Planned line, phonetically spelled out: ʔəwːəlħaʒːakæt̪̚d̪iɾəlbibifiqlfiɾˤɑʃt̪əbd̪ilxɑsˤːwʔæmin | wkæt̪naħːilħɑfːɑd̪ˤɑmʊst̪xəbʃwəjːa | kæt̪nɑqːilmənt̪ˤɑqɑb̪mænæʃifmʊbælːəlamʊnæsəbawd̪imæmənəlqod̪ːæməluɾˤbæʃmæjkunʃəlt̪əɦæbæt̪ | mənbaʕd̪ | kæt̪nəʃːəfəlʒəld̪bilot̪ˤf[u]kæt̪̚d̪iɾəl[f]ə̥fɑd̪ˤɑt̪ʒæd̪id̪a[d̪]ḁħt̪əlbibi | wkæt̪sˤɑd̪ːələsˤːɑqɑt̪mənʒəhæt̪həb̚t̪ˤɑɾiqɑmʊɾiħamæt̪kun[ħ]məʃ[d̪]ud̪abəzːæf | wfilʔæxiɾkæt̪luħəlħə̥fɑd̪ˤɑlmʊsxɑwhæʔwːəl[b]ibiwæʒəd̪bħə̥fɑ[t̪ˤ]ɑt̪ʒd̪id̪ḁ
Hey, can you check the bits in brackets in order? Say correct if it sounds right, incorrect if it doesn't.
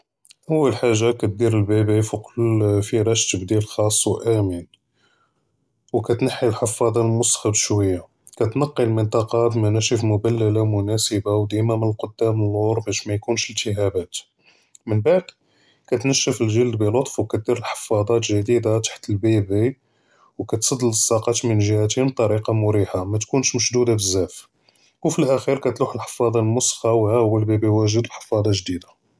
incorrect: w, incorrect: ħ, incorrect: t̪, incorrect: ʃ, correct, correct, incorrect: d̪ˤ

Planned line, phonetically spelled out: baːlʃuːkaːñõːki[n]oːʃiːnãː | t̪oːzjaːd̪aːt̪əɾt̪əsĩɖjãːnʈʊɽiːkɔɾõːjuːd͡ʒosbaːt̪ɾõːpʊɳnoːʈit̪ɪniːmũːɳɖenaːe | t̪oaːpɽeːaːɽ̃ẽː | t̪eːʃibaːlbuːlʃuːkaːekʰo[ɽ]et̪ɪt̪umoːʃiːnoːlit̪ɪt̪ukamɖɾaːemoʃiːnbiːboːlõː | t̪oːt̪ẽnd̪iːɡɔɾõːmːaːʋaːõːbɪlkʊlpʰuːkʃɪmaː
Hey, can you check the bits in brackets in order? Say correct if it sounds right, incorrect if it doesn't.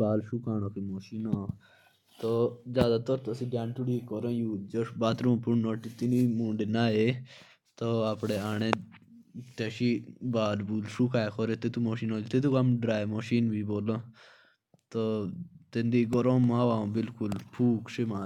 incorrect: m, incorrect: ɾ

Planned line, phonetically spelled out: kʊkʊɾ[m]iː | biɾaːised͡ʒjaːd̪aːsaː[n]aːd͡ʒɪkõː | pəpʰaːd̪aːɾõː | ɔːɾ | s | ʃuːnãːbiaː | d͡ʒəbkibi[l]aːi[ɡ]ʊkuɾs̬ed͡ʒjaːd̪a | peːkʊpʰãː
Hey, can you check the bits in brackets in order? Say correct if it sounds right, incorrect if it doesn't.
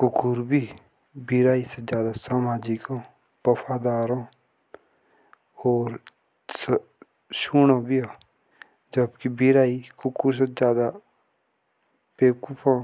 incorrect: b, incorrect: m, incorrect: ɾ, incorrect: k

